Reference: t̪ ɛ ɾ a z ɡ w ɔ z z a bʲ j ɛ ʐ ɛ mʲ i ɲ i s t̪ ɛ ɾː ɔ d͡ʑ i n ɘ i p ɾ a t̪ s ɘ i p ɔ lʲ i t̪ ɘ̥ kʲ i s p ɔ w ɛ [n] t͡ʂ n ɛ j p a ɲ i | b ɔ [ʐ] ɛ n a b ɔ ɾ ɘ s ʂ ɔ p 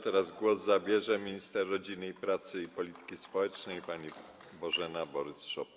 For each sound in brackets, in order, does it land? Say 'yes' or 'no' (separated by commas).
no, yes